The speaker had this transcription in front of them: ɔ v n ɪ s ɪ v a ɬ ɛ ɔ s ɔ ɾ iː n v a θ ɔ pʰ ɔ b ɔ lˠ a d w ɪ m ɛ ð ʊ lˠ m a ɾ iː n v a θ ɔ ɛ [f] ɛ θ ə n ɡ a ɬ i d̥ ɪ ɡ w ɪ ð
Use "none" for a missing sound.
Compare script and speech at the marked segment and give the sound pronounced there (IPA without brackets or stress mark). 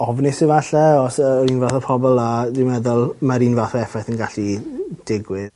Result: f